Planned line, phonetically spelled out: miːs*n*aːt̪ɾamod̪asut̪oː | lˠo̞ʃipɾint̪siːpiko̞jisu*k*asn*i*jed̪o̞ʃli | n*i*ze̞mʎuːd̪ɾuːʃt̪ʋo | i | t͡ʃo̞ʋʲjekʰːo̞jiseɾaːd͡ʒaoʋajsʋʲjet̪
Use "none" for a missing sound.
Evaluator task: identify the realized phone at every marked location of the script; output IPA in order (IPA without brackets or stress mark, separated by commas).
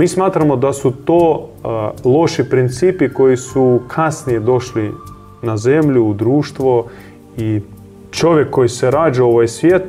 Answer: m, kʰ, i, a